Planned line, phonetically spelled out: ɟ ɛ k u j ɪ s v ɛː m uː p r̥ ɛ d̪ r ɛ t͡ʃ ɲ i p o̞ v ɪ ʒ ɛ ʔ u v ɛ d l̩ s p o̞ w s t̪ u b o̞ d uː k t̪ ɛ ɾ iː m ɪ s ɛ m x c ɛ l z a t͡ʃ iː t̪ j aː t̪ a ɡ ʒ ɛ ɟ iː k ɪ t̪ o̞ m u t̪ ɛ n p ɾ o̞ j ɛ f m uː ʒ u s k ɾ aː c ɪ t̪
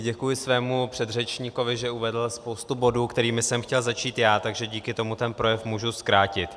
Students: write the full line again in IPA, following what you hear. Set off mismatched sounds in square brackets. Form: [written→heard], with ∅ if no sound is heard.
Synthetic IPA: ɟ ɛ k u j ɪ s v ɛː m [uː→u] p r̥ ɛ d̪ r ɛ t͡ʃ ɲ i [p→k] o̞ v ɪ ʒ ɛ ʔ u v ɛ d l̩ s p o̞ w s t̪ u b o̞ d uː k t̪ ɛ ɾ iː m ɪ s ɛ m x c ɛ l z a t͡ʃ iː t̪ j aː t̪ a ɡ ʒ ɛ ɟ iː k ɪ t̪ o̞ m u t̪ ɛ n p ɾ o̞ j ɛ f m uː ʒ u s k ɾ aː c ɪ t̪